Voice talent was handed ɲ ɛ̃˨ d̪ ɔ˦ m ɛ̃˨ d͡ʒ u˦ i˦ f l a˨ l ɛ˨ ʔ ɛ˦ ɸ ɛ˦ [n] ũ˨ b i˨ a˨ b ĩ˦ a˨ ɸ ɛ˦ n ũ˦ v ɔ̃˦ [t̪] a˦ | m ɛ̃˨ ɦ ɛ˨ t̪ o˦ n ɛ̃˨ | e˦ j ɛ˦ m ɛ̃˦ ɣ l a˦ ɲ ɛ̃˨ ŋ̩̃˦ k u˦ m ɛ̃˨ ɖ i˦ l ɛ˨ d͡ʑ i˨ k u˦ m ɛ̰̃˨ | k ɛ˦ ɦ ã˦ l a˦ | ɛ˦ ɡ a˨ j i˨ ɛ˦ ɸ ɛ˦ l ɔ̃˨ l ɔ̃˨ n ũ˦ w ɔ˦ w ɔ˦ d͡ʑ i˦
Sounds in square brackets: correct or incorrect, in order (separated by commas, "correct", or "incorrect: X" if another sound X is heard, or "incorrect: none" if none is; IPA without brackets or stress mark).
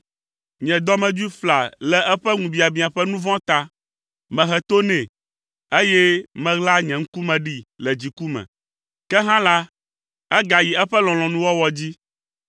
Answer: incorrect: ŋ, correct